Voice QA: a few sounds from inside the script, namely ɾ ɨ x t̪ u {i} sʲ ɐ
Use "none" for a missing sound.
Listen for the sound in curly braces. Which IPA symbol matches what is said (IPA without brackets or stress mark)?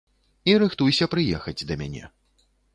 j